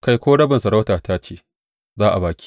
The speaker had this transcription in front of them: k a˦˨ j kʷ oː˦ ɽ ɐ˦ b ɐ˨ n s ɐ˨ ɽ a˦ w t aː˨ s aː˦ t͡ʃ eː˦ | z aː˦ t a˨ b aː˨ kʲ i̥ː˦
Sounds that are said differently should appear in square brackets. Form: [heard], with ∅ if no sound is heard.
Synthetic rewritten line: k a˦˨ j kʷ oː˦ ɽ ɐ˦ b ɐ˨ n s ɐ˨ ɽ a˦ w t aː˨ [t] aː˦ t͡ʃ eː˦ | z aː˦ [ʔ] a˨ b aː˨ kʲ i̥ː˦